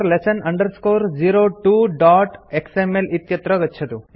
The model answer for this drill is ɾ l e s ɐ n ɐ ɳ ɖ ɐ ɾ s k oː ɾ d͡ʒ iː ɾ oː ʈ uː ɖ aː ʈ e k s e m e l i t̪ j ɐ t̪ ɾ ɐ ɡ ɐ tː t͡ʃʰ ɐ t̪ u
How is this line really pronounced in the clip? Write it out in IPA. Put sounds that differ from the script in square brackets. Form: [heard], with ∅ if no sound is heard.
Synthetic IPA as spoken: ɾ l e s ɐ n ɐ ɳ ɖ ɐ ɾ s k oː ɾ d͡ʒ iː ɾ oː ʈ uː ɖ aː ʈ e k s e m e l i t̪ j ɐ t̪ ɾ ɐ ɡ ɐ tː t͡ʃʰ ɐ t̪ u